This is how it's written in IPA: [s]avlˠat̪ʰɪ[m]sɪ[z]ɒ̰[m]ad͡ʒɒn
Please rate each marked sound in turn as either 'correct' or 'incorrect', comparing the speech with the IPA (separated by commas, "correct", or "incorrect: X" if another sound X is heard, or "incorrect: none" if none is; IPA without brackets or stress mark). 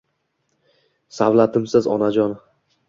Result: correct, correct, correct, incorrect: n